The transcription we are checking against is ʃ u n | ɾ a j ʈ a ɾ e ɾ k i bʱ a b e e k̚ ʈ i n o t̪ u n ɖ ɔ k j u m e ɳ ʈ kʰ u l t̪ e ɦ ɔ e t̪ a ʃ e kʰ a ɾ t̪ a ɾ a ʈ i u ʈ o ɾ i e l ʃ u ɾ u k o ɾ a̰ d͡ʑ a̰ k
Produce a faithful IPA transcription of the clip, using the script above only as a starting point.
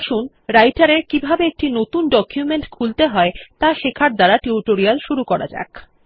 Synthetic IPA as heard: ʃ u n | ɾ a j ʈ a ɾ e ɾ k i bʱ a b e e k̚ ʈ i n o t̪ u n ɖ ɔ k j u m e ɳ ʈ kʰ u l t̪ e ɦ ɔ e t̪ a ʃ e kʰ a ɾ d̪ a ɾ a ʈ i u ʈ o ɾ i a l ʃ u ɾ u k ɔ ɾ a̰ d͡ʑ a̰ k